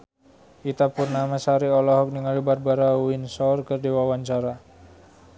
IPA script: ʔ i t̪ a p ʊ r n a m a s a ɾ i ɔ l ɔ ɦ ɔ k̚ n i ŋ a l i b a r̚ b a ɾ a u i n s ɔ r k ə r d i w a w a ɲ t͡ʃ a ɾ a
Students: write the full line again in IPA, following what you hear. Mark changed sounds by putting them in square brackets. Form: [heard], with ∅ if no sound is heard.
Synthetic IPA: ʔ i t̪ a p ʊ r n a m a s a ɾ i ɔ l ɔ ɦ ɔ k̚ n i ŋ a l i b a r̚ b a ɾ a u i n s ɔ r k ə r d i w a w a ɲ t͡ʃ a ɾ a